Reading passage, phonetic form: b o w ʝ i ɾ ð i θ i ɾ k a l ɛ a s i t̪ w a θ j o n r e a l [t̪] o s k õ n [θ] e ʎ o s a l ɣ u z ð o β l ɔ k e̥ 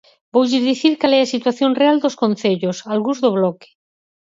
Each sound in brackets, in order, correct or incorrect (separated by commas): incorrect, correct